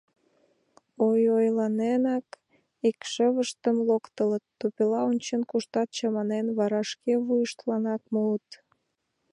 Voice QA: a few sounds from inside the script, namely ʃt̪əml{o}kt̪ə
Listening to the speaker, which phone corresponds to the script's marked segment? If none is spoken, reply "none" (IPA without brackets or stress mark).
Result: o